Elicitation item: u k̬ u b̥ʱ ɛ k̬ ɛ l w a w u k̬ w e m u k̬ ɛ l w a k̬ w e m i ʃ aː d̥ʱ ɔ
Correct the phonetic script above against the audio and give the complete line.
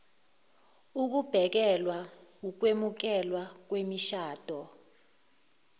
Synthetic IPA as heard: u k̬ u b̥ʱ ɛ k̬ ɛ l w a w u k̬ w e m u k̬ ɛ l w a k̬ w e m i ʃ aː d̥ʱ ɔ